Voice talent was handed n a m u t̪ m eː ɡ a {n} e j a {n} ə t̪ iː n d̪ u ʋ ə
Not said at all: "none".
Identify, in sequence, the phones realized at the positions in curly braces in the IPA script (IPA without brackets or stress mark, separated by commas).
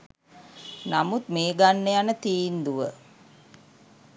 nː, n